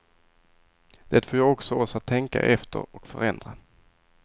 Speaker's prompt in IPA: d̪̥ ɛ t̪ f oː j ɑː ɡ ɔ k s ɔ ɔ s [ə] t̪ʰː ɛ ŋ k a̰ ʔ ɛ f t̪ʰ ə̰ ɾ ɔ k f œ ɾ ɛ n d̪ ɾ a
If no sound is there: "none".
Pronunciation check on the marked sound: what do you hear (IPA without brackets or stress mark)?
a